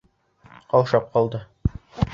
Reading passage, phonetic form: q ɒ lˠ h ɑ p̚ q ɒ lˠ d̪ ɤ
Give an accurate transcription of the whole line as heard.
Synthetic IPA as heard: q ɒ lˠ ʃ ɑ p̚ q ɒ lˠ d̪ ɤ